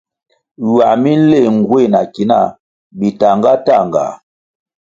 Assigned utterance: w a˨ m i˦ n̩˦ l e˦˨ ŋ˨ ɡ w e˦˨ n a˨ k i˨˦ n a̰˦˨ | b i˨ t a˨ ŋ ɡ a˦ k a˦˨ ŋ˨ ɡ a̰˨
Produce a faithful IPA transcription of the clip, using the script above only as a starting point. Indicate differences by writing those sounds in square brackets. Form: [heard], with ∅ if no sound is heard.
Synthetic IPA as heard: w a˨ m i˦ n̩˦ l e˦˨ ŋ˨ ɡ w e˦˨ n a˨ k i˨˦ n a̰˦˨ | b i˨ t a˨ ŋ ɡ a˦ [t] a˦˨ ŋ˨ ɡ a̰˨